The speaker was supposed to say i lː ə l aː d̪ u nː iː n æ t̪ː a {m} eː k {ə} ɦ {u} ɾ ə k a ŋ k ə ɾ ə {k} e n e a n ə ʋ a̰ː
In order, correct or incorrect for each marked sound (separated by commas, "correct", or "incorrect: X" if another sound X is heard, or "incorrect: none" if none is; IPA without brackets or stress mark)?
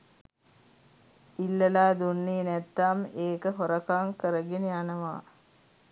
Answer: correct, correct, incorrect: o, incorrect: ɡ